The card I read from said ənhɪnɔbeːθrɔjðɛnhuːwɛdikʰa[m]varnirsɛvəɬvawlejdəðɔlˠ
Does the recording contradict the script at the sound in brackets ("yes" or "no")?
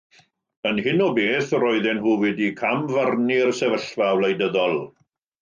no